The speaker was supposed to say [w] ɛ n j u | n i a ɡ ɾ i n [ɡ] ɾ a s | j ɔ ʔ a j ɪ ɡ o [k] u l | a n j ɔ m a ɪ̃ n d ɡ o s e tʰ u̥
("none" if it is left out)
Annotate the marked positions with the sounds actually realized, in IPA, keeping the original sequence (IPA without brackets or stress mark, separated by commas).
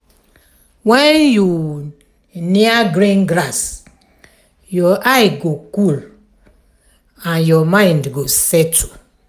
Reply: w, ɡ, k